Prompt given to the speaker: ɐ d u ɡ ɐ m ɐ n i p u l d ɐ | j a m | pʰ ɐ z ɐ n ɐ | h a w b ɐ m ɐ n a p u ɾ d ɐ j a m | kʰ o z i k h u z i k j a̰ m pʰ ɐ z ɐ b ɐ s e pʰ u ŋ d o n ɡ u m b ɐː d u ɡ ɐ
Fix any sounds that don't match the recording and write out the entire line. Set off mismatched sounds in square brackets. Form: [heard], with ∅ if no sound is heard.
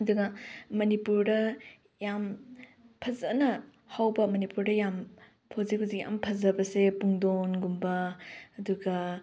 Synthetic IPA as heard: ɐ d u ɡ ɐ m ɐ n i p u [ɾ] d ɐ | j a m | pʰ ɐ z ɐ n ɐ | h a w b ɐ m ɐ n [i] p u ɾ d ɐ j a m | [pʰ] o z i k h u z i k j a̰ m pʰ ɐ z ɐ b ɐ s e [p] u ŋ d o n ɡ u m b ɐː d u ɡ ɐ